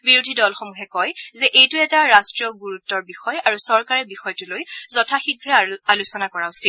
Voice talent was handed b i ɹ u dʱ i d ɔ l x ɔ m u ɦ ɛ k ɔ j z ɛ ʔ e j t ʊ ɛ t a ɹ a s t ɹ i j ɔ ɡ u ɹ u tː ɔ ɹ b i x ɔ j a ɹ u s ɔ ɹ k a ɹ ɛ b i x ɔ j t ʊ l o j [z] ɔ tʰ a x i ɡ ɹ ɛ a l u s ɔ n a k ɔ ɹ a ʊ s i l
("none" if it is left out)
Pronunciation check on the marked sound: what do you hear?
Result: z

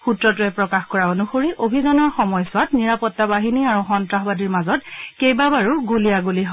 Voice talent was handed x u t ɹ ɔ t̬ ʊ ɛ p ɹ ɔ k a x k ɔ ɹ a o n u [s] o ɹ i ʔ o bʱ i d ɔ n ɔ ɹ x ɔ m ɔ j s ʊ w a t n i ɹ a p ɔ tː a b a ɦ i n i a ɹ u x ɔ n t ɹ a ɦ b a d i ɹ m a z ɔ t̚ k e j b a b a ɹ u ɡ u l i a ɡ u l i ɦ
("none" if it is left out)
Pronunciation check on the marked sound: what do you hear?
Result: x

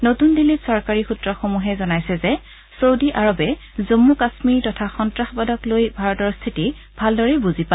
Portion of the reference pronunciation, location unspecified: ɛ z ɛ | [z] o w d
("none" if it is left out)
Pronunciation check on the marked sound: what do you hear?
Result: s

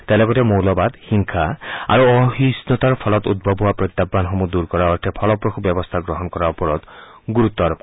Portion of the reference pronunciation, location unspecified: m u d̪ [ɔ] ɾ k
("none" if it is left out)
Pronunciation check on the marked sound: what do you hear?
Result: u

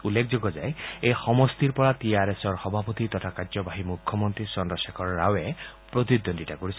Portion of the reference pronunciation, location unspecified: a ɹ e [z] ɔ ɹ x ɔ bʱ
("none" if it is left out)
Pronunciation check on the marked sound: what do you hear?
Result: s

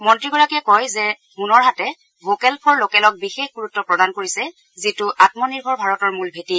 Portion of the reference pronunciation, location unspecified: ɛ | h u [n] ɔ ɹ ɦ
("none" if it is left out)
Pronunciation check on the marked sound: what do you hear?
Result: n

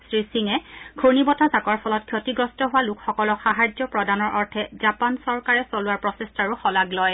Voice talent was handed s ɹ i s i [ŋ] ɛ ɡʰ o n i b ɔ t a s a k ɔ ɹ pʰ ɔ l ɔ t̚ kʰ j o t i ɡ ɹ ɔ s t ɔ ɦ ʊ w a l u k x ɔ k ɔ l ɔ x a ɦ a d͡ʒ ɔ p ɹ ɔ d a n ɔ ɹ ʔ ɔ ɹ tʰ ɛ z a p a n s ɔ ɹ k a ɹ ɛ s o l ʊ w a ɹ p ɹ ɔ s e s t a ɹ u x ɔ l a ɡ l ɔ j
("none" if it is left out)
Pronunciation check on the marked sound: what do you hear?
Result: ŋ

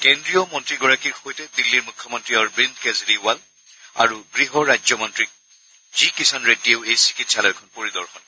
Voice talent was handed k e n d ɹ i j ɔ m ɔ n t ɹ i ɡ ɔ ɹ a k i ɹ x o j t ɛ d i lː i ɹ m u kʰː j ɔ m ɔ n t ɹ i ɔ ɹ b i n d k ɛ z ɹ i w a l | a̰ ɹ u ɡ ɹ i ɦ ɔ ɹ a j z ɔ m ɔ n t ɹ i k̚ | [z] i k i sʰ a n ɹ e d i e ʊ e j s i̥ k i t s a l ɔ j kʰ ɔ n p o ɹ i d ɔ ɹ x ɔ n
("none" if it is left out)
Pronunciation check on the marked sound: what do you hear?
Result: z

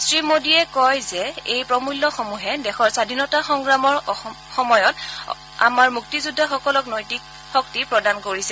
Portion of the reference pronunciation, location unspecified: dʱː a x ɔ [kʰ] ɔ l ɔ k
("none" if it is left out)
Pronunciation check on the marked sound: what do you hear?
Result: k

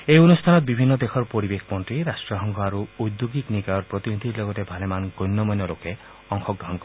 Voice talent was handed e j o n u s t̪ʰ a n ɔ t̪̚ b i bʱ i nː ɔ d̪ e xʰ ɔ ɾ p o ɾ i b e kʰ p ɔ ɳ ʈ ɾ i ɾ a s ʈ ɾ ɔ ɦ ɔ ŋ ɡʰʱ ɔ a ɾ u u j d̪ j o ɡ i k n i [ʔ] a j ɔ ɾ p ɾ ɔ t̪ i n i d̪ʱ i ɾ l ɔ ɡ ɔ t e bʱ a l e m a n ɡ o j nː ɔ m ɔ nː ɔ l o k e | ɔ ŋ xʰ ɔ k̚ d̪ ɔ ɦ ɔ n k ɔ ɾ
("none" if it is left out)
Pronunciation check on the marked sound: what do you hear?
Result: k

